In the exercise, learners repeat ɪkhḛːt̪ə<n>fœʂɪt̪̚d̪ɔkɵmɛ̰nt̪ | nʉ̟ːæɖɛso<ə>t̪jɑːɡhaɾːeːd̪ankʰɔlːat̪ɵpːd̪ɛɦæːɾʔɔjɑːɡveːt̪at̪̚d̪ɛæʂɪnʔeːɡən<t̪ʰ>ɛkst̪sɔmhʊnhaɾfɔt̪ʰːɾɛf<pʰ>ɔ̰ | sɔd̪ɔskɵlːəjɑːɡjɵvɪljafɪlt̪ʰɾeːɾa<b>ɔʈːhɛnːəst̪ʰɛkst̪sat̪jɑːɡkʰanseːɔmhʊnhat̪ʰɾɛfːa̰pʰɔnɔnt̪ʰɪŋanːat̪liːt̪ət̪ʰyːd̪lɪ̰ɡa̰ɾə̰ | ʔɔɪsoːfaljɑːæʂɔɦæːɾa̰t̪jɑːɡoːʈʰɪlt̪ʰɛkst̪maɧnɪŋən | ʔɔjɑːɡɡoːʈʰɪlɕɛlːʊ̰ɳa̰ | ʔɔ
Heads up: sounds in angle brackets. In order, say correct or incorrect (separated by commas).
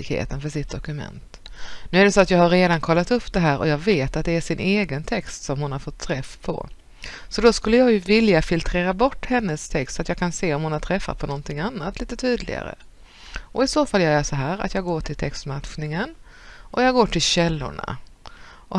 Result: correct, incorrect, correct, correct, correct